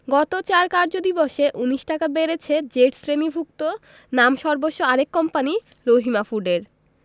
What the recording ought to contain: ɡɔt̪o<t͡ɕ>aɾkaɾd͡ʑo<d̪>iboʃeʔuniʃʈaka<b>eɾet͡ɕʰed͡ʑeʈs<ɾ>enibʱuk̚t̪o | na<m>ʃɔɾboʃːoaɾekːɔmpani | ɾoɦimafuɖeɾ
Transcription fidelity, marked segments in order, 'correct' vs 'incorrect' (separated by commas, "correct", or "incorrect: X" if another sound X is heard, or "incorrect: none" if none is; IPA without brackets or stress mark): correct, correct, correct, correct, correct